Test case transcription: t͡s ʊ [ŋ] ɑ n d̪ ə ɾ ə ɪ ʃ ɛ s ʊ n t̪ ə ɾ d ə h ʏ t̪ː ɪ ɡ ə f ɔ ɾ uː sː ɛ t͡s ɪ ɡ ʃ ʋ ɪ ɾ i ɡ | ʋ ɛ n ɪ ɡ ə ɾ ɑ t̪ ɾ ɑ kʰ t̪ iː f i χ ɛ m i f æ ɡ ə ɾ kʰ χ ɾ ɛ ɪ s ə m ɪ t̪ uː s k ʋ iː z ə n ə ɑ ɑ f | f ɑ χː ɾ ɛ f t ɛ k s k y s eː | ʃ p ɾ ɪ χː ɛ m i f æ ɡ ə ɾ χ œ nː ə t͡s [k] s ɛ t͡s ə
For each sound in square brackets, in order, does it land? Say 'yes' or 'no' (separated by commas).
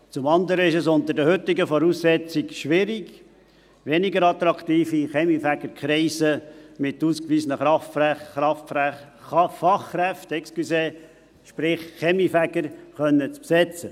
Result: no, no